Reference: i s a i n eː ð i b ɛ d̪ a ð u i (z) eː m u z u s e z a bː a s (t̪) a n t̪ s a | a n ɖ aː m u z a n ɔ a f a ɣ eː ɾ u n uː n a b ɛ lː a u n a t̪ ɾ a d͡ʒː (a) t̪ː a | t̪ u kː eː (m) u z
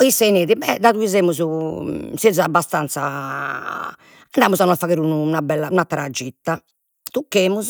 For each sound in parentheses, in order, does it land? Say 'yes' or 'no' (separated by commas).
yes, yes, no, yes